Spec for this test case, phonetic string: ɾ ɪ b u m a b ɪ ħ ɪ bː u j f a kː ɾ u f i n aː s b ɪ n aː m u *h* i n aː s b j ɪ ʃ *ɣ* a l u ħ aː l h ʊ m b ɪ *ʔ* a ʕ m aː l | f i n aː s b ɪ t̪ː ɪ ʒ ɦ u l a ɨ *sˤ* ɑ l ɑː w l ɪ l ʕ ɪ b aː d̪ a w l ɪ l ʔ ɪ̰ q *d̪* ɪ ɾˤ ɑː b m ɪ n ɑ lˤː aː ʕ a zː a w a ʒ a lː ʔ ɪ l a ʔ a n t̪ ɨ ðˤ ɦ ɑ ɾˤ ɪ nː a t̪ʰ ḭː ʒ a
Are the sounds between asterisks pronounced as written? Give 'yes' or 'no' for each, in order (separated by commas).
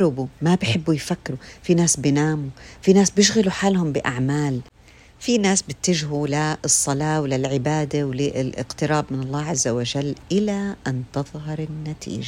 no, yes, yes, no, no